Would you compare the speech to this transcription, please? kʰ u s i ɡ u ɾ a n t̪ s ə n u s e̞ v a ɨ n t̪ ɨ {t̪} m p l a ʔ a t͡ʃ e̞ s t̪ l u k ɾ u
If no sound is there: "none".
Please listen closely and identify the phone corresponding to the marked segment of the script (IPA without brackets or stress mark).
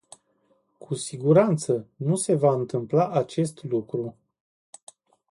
none